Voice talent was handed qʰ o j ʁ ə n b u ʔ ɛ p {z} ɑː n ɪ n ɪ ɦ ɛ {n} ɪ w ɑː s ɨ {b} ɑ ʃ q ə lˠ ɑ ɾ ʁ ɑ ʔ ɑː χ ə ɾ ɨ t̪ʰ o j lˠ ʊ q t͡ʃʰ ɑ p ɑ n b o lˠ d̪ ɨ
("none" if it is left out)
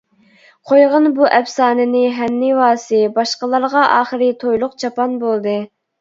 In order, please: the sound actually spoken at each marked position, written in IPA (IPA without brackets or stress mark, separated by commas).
s, nː, b